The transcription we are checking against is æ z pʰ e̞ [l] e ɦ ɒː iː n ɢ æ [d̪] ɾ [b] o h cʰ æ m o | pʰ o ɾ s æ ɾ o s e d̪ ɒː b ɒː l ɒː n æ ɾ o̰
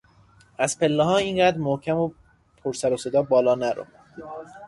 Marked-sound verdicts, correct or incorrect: incorrect: lː, correct, incorrect: m

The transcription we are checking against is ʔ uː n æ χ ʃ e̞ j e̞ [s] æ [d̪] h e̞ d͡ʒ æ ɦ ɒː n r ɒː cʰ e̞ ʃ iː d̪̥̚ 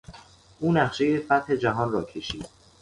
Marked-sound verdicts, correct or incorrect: incorrect: f, incorrect: t̪

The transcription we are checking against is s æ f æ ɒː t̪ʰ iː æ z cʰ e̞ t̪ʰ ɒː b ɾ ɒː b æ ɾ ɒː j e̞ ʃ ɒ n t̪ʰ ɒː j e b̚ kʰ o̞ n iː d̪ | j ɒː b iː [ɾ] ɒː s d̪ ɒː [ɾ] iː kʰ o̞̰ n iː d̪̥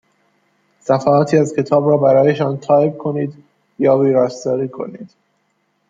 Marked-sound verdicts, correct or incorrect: correct, correct

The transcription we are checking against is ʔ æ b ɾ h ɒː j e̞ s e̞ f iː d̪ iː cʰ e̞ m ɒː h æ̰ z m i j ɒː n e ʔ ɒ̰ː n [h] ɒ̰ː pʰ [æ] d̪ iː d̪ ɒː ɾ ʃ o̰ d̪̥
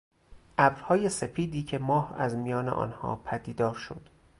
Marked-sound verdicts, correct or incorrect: correct, correct

